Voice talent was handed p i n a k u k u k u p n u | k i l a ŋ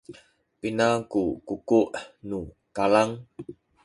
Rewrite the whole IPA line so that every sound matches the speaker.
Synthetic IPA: p i n a k u k u k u ʔ n u | k a l a ŋ